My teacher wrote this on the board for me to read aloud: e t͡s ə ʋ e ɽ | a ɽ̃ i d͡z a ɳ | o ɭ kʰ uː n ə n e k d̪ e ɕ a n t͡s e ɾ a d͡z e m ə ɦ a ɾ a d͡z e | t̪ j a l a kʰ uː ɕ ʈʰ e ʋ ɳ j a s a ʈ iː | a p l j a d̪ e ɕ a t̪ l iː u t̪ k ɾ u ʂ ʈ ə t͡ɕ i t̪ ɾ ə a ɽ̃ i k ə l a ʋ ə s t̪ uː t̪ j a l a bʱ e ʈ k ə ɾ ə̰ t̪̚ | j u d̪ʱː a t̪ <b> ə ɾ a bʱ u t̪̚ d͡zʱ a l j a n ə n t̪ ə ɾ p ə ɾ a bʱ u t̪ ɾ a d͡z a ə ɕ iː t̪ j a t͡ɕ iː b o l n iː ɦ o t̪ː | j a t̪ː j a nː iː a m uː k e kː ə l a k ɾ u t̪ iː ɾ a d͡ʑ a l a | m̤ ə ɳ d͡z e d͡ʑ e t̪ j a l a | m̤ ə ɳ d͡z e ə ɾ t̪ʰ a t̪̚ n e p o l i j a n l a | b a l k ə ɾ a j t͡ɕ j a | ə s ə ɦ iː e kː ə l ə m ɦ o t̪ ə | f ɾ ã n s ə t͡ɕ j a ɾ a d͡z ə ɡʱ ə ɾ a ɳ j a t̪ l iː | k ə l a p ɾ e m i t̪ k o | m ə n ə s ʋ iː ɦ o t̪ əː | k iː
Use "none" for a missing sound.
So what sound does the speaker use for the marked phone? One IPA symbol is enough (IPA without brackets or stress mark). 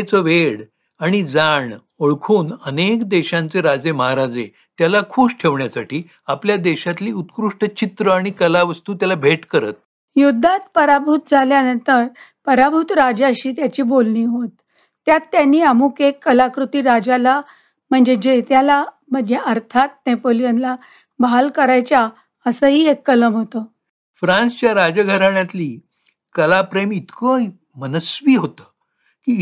p